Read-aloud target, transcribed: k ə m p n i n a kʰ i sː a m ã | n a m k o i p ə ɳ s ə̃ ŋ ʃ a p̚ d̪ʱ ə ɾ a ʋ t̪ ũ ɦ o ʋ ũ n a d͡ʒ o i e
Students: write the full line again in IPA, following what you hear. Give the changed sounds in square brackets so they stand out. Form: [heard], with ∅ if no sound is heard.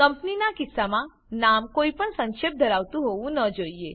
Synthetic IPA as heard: k ə m p n i n a [k] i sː a m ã | n a m k o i p ə ɳ s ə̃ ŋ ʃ [e] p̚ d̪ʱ ə ɾ a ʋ t̪ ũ ɦ o ʋ ũ n [ə] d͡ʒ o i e